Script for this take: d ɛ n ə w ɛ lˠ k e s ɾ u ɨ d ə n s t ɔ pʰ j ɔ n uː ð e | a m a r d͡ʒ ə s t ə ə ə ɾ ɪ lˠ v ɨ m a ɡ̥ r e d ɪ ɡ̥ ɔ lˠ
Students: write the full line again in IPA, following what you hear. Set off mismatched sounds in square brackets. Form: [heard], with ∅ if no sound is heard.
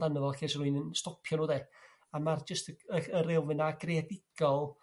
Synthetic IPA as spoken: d [a] n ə [v] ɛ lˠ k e s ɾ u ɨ [n] ə n s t ɔ pʰ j ɔ n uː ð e | a m a r d͡ʒ ə s t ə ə ə ɾ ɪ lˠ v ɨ [n] a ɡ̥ r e d ɪ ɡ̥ ɔ lˠ